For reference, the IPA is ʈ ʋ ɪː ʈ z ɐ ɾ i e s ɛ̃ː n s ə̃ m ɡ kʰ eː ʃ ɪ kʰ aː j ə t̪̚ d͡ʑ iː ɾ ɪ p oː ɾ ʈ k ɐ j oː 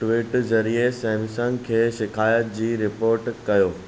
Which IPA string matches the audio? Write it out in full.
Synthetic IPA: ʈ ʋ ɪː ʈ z ɐ ɾ i e s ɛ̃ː m s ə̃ ŋ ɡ kʰ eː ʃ ɪ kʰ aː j ə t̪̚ d͡ʑ iː ɾ ɪ p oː ɾ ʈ k ɐ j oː

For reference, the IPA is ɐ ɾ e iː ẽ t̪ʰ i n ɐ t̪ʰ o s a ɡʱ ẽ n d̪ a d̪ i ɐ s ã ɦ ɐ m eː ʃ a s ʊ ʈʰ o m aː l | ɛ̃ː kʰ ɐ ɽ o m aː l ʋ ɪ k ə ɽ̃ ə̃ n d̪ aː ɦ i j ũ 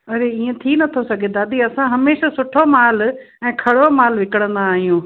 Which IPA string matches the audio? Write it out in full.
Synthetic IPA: ɐ ɾ e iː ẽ t̪ʰ i n ɐ t̪ʰ o s ɐ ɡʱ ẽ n d̪ a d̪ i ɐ s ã ɦ ɐ m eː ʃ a s ʊ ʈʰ o m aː l | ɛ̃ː kʰ ɐ ɽ o m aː l ʋ ɪ k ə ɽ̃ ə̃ n d̪ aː ɦ i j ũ

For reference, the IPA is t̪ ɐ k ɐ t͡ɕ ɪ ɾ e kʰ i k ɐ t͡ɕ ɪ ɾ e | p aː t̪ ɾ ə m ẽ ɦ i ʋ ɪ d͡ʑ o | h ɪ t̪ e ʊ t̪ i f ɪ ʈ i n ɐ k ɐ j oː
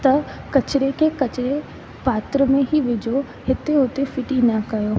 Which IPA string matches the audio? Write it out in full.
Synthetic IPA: t̪ ɐ k ɐ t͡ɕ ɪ ɾ e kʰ e k ɐ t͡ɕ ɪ ɾ e | p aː t̪ ɾ ə m ẽ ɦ i ʋ ɪ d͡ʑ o | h ɪ t̪ e ʊ t̪ e f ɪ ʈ i n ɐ k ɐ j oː

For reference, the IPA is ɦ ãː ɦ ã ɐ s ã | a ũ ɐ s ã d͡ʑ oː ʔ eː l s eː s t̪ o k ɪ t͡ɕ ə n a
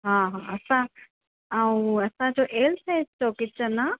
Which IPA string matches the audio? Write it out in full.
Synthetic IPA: ɦ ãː ɦ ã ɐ s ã | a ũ ɐ s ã d͡ʑ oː ʔ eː l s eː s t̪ o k ɪ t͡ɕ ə n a

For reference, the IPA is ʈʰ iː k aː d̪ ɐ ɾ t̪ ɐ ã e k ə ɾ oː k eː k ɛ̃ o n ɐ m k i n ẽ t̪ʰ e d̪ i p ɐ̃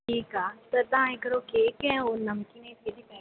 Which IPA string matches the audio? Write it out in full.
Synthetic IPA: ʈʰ iː k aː t̪ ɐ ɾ t̪ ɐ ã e k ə ɾ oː k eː k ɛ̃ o n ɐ m k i n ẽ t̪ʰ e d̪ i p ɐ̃

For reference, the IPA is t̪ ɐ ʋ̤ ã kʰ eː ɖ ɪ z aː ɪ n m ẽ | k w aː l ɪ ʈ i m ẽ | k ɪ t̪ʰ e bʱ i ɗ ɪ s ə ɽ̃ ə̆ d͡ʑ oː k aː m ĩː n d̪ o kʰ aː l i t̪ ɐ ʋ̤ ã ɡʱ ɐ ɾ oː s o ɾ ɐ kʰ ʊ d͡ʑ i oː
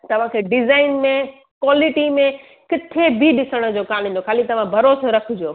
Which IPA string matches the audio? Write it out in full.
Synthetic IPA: t̪ ɐ ʋ̤ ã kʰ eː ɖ ɪ z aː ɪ n m ẽ | k w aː l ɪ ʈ i m ẽ | k ɪ t̪ʰ e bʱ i ɗ ɪ s ə ɽ̃ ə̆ d͡ʑ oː k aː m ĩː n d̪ o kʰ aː l i t̪ ɐ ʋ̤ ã bʱ ɐ ɾ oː s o ɾ ɐ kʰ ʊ d͡ʑ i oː

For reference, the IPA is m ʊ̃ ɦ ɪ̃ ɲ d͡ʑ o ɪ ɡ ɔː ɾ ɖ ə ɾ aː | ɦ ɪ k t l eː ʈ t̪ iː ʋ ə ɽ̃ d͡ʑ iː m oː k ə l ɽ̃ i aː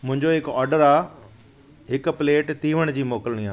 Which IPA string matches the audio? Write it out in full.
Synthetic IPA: m ʊ̃ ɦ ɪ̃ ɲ d͡ʑ o ɪ k ɔː ɾ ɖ ə ɾ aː | ɦ ɪ k p l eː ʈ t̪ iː ʋ ə ɽ̃ d͡ʑ iː m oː k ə l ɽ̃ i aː

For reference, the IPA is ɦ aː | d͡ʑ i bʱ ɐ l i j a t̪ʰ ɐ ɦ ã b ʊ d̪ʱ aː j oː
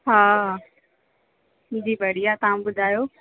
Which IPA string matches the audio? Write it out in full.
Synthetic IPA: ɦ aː | d͡ʑ iː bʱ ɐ ɽ i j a t̪ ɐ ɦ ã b ʊ d̪ʱ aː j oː

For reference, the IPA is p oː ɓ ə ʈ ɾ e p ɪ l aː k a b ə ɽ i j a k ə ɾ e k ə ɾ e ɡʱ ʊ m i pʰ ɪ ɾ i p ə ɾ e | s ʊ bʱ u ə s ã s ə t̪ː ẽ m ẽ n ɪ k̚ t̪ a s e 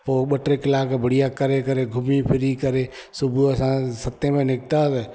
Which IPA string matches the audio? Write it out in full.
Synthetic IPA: p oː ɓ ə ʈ ɾ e k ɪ l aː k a b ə ɽ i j a k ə ɾ e k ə ɾ e ɡʱ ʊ m i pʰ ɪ ɾ i k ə ɾ e | s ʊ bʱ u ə s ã s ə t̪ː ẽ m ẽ n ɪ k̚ t̪ a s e

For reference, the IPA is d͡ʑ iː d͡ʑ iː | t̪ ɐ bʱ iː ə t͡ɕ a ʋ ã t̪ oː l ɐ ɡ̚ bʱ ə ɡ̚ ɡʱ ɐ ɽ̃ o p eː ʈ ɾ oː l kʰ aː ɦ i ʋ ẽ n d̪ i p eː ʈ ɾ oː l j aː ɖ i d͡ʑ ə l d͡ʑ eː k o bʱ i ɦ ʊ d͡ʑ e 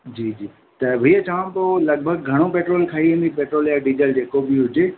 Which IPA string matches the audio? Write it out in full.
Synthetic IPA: d͡ʑ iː d͡ʑ iː | t̪ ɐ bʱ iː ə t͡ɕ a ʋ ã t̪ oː l ɐ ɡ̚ bʱ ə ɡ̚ ɡʱ ɐ ɽ̃ o p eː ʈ ɾ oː l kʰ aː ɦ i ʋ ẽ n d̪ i p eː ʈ ɾ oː l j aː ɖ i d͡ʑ ə l d͡ʑ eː k o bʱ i ɦ ʊ d͡ʑ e

